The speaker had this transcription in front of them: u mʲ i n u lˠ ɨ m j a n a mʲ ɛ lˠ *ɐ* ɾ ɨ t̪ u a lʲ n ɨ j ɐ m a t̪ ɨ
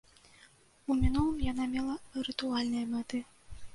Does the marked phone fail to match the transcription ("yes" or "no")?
no